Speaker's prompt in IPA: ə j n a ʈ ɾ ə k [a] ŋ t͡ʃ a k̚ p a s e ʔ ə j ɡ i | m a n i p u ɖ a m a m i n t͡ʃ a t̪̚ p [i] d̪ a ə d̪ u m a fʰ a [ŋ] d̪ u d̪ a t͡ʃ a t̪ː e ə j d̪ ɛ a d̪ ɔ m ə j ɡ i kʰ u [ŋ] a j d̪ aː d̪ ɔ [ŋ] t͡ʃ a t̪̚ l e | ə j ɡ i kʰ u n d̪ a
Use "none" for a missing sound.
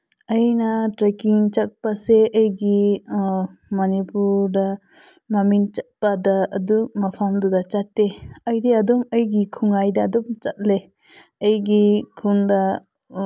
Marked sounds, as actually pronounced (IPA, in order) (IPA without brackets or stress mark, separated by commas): i, a, m, ŋ, m